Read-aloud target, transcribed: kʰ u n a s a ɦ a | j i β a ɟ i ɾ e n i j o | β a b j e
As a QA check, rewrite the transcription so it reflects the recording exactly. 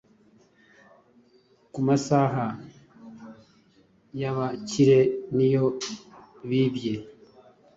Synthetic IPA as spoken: k u m a s a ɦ a | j a β a c i ɾ e n i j o | β i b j e